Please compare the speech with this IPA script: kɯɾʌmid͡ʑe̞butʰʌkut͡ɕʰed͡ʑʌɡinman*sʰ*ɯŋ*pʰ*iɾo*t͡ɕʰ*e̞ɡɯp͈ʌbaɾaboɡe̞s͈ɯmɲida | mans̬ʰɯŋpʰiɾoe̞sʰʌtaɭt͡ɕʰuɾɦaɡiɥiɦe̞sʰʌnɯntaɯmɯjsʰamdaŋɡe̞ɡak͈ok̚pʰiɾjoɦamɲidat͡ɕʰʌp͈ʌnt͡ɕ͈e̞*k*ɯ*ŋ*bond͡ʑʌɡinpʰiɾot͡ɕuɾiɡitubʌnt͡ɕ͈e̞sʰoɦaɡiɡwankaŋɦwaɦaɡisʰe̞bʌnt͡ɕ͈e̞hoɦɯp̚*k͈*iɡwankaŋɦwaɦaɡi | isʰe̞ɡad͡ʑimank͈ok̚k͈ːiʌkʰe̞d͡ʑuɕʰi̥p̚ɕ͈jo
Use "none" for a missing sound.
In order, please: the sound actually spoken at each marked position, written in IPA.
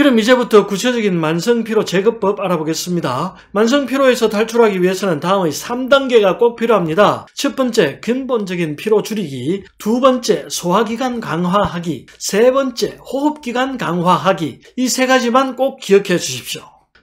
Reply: sʰ, pʰ, t͡ɕ, k, n, k͈

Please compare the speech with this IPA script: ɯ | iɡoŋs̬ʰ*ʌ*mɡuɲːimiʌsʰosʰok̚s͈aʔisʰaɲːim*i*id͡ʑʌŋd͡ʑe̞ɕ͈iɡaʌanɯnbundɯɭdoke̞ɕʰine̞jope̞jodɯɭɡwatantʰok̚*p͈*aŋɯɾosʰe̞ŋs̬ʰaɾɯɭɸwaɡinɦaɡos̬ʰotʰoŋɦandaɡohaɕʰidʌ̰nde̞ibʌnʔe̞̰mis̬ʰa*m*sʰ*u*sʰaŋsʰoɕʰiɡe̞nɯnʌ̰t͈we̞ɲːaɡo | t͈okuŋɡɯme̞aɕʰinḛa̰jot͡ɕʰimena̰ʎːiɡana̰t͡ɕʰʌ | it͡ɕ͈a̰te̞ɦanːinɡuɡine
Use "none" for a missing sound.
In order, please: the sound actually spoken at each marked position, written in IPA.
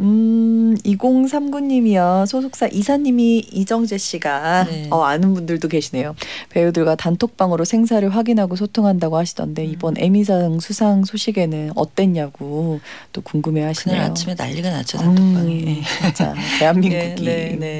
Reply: a, i, p͈, ŋ, u

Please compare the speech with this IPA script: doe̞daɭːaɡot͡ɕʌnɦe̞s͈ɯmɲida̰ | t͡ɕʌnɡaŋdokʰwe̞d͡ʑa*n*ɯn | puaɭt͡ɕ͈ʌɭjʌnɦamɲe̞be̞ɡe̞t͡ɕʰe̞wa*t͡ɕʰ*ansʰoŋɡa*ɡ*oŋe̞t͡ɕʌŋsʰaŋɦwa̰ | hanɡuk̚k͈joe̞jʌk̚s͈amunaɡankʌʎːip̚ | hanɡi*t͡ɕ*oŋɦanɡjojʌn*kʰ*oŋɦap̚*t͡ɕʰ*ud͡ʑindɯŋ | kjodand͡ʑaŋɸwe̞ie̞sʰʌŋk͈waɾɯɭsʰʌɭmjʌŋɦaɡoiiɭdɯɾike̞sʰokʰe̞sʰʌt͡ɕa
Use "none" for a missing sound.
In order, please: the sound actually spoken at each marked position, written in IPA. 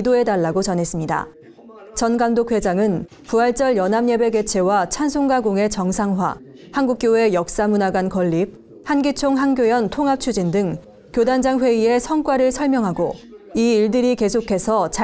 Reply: ŋ, t͡ɕʰ, ɡ, t͡ɕʰ, tʰ, t͡ɕʰ

